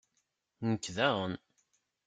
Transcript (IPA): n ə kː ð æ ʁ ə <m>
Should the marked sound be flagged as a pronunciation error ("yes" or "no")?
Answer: yes